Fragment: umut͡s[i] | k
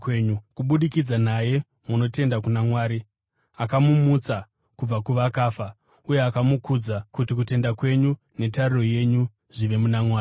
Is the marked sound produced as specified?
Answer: no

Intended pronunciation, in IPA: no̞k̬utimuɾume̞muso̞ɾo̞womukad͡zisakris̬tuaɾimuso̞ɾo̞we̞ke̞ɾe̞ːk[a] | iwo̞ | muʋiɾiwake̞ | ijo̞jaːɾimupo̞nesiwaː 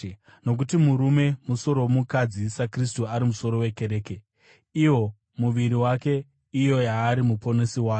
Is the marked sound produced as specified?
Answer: no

